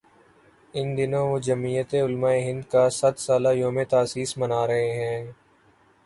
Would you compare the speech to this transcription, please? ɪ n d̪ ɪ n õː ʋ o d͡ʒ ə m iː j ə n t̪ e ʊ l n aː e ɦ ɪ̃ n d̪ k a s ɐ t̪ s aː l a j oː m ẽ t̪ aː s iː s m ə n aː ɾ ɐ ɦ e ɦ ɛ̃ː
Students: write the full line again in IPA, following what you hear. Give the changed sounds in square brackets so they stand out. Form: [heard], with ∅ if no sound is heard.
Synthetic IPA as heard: ɪ n d̪ ɪ n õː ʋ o d͡ʒ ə m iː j ə [∅] t̪ e ʊ l [m] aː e ɦ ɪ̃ n d̪ k a s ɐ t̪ s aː l a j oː m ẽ t̪ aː s iː s m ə n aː ɾ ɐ ɦ e ɦ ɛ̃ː